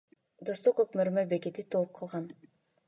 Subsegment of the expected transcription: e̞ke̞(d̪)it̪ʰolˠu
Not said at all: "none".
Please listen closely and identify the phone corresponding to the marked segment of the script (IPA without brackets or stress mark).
t̪